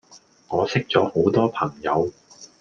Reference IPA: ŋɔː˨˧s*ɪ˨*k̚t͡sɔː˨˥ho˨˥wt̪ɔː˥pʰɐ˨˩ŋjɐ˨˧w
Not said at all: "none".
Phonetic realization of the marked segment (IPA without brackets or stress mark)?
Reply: ɪ˥